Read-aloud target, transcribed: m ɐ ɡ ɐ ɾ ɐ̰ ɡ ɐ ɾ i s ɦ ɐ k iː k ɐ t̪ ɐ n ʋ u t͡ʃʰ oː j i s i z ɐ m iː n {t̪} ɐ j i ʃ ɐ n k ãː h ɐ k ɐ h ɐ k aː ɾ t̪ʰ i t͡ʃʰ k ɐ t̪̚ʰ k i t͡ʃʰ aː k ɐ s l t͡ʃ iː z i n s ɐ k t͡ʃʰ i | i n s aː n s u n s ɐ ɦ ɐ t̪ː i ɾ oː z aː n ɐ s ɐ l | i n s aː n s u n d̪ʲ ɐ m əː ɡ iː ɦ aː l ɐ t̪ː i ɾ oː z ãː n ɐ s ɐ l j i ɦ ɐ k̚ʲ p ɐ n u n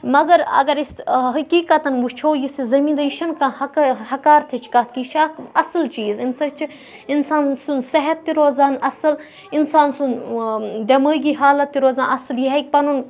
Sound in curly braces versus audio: incorrect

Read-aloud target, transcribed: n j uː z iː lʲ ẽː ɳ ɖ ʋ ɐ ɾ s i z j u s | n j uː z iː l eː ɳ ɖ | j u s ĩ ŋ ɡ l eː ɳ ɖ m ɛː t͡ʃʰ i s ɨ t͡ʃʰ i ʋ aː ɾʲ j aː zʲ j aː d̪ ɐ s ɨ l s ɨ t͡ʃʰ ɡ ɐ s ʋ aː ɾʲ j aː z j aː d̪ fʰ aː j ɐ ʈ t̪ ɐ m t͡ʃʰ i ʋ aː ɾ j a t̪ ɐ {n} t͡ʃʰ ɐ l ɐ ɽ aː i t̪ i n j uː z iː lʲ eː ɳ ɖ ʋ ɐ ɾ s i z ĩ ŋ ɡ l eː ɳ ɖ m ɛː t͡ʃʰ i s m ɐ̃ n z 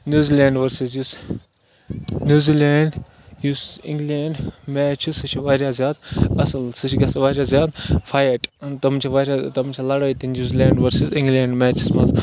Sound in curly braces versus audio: incorrect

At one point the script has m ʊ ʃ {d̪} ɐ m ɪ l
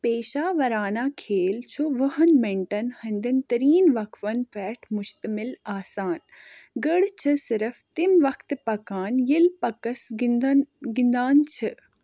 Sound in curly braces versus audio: incorrect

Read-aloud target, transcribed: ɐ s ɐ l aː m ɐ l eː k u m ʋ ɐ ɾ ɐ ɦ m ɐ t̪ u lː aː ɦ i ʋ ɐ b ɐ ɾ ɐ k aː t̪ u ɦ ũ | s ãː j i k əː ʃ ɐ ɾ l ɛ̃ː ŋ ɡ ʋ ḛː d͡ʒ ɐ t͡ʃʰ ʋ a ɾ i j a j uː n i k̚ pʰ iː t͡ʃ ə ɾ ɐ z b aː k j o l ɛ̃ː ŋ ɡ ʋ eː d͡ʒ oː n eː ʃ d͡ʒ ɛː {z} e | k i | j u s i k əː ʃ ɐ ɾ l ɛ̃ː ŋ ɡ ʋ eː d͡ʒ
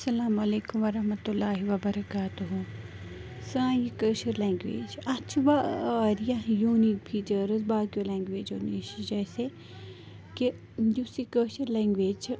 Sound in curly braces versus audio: incorrect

